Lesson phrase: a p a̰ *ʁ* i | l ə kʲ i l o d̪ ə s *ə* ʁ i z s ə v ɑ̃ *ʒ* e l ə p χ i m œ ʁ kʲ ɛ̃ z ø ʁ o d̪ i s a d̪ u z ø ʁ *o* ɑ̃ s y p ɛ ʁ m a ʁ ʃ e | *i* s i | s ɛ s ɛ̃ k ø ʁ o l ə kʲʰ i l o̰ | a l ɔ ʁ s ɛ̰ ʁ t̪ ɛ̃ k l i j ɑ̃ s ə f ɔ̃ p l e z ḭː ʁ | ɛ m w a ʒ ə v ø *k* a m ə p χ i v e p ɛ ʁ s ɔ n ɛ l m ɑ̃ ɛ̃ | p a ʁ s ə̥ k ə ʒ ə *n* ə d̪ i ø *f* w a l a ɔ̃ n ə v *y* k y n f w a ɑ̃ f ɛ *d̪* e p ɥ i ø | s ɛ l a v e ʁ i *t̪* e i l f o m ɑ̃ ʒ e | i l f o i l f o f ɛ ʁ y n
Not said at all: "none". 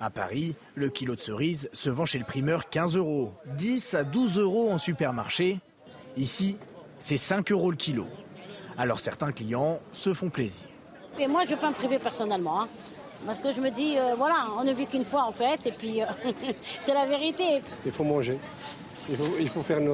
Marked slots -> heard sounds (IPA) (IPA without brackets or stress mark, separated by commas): ʁ, ə, ʃ, o, i, p, m, v, y, t̪, t̪